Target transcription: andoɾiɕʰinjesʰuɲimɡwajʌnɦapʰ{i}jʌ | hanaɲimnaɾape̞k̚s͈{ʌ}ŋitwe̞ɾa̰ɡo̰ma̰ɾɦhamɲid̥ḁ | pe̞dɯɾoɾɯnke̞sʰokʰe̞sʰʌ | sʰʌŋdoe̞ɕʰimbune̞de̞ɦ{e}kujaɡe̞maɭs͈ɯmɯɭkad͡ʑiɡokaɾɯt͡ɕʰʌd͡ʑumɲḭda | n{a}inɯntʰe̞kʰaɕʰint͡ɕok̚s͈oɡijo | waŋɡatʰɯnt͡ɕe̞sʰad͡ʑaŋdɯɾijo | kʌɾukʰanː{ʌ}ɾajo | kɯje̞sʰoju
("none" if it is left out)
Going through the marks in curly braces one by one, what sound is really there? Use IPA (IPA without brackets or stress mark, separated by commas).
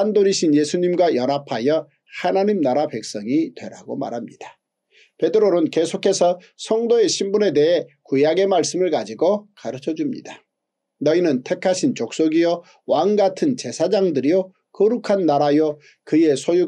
a, ʌ, e, ʌ, a